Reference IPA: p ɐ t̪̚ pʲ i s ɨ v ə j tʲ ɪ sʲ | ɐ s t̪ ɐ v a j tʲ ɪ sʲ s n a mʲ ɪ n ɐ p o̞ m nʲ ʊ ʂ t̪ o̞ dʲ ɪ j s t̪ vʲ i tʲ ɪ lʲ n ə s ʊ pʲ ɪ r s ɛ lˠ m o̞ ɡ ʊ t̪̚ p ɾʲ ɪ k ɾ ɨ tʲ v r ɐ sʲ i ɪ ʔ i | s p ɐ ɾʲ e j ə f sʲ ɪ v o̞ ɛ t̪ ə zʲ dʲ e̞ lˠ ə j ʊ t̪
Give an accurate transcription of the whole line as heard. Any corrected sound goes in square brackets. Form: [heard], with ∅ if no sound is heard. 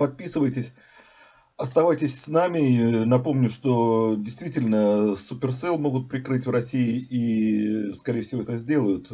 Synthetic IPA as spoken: p ɐ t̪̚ pʲ i s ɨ v ə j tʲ ɪ sʲ | ɐ s t̪ ɐ v a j tʲ ɪ sʲ s n a mʲ ɪ n ɐ p o̞ m nʲ ʊ ʂ t̪ o̞ dʲ ɪ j s t̪ vʲ i tʲ ɪ lʲ n ə s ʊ pʲ ɪ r s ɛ lˠ m o̞ ɡ ʊ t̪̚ p ɾʲ ɪ k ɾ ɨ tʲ v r ɐ sʲ i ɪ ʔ i | s [k] ɐ ɾʲ e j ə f sʲ ɪ v o̞ ɛ t̪ ə zʲ dʲ e̞ lˠ ə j ʊ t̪